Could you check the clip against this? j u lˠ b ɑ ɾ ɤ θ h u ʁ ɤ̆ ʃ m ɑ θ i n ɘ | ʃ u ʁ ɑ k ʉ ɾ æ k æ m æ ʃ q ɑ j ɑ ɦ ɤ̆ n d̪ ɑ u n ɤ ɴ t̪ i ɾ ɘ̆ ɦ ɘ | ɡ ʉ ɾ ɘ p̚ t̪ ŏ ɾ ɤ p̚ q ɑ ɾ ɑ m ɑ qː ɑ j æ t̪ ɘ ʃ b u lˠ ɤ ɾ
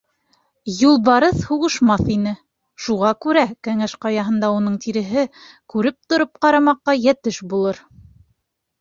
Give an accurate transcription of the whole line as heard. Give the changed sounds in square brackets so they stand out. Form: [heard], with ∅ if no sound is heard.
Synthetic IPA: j u lˠ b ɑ ɾ ɤ θ h u ʁ ɤ̆ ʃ m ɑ θ i n ɘ | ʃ u ʁ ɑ k ʉ ɾ æ k æ [ŋ] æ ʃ q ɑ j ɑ ɦ ɤ̆ n d̪ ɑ u n ɤ ɴ t̪ i ɾ ɘ̆ ɦ ɘ | [k] ʉ ɾ ɘ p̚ t̪ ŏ ɾ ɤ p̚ q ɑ ɾ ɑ m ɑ qː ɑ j æ t̪ ɘ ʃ b u lˠ ɤ ɾ